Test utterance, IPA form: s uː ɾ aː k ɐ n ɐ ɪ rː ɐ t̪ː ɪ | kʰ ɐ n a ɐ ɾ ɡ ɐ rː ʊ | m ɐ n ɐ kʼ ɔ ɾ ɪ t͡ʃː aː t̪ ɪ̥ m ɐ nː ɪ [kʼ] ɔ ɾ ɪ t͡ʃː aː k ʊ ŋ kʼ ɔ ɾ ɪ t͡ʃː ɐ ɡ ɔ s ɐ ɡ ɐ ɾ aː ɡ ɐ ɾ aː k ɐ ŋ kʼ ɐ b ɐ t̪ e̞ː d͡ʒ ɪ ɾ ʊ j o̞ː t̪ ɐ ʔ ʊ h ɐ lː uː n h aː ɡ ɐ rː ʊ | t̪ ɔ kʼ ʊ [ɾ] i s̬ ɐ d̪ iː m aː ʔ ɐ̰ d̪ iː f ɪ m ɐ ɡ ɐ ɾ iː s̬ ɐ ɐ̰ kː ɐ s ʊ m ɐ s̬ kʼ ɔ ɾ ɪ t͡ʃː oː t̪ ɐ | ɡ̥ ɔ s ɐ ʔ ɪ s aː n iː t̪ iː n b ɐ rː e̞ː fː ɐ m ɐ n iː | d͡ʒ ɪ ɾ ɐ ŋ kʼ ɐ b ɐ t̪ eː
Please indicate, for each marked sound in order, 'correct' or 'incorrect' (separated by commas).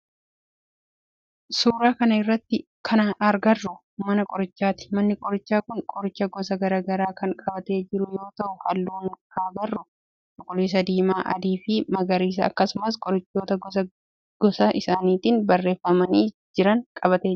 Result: correct, incorrect